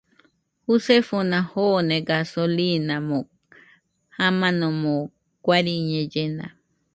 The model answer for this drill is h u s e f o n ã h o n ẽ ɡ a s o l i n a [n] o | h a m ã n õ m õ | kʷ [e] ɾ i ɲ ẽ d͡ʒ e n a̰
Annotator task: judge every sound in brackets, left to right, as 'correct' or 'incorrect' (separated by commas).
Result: incorrect, incorrect